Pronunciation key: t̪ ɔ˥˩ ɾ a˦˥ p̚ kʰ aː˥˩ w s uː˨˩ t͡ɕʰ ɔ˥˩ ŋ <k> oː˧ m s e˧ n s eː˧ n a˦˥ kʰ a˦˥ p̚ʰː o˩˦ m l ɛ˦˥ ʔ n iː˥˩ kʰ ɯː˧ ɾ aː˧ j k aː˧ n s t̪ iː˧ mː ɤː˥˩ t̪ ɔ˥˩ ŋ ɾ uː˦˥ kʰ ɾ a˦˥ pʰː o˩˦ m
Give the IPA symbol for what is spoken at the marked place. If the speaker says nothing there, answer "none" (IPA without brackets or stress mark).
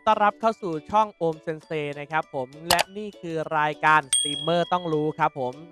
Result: ʔ